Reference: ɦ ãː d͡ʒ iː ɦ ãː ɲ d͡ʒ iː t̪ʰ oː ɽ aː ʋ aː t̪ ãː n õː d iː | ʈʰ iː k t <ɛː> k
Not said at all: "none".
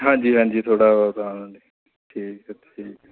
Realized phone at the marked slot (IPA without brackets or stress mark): iː